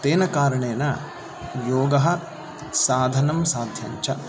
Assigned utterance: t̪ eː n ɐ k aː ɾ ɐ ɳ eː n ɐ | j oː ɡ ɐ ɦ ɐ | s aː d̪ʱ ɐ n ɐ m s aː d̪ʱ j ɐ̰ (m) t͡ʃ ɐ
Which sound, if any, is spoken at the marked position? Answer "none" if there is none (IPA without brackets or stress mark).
ɲ